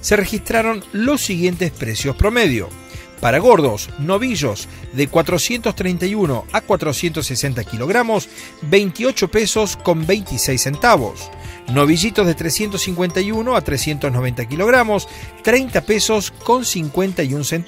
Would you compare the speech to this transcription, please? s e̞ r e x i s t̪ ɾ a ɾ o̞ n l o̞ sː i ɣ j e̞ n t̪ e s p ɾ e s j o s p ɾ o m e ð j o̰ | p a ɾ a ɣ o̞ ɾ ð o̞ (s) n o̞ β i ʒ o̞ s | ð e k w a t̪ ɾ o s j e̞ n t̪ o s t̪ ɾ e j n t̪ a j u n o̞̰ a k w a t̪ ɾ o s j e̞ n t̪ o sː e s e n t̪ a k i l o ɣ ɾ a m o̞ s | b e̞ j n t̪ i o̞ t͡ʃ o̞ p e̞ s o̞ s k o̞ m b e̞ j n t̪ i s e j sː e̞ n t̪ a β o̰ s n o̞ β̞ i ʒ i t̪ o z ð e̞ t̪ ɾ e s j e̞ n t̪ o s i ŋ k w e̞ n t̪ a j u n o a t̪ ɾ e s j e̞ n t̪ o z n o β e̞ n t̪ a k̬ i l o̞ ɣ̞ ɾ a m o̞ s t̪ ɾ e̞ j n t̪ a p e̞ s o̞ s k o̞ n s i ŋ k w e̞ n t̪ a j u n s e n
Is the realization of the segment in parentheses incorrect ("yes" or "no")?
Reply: no